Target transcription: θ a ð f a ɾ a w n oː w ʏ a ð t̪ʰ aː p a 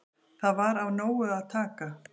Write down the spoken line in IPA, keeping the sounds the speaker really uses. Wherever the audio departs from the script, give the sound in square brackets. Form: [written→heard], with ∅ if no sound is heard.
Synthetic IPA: θ a ð [f→v] a ɾ a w n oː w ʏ a ð t̪ʰ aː [p→k] a